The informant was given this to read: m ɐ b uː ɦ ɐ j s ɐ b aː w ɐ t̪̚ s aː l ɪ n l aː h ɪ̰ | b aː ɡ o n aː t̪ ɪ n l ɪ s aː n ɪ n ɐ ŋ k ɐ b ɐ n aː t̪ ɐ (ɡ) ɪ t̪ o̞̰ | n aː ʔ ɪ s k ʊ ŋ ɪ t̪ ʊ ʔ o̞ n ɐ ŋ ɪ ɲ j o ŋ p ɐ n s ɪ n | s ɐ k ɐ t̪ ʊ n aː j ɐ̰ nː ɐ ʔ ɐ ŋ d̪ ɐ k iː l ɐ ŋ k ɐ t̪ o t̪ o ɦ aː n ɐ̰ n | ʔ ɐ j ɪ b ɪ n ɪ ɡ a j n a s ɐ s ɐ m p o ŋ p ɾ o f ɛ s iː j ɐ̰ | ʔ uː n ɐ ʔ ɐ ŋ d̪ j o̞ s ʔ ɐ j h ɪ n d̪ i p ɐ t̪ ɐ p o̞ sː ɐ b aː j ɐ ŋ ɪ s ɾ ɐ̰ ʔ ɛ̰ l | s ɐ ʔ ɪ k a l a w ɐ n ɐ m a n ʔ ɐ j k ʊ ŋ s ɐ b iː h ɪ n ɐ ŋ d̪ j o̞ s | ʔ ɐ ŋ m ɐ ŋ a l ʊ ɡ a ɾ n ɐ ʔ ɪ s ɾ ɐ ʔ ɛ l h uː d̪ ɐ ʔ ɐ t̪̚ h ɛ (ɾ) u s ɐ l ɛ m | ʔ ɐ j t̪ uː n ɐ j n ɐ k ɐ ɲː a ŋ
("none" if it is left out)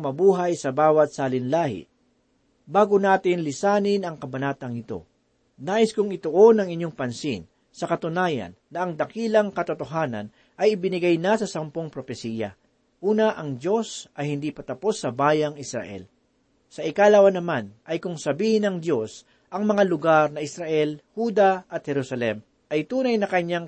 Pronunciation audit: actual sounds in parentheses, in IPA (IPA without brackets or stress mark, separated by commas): ŋ, ɾ